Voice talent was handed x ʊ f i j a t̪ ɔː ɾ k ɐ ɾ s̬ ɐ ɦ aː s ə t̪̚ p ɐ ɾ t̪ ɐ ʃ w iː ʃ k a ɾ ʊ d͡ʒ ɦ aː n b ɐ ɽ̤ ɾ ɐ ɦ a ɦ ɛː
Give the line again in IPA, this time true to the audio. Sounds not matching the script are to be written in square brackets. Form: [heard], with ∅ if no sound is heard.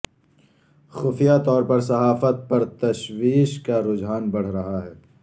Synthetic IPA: x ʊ f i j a t̪ ɔː ɾ [p] ɐ ɾ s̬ ɐ ɦ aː [f] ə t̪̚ p ɐ ɾ t̪ ɐ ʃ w iː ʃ k a ɾ ʊ d͡ʒ ɦ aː n b ɐ ɽ̤ ɾ ɐ ɦ a ɦ ɛː